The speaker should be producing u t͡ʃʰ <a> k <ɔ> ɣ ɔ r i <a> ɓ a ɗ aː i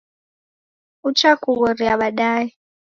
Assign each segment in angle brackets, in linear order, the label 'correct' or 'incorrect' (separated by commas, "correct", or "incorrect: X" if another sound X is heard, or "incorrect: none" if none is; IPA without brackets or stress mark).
correct, incorrect: u, correct